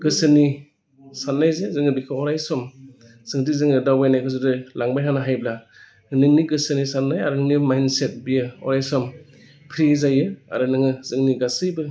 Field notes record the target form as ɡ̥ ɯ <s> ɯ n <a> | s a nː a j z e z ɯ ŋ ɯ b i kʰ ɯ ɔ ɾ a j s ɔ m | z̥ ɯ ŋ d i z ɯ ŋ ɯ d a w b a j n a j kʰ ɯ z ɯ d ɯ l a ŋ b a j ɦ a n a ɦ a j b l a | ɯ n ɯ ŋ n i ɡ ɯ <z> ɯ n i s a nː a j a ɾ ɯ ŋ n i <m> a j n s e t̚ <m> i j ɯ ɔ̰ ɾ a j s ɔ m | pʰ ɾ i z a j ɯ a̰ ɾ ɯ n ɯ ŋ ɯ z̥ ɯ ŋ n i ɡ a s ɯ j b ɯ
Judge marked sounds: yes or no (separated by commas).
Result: yes, no, no, yes, no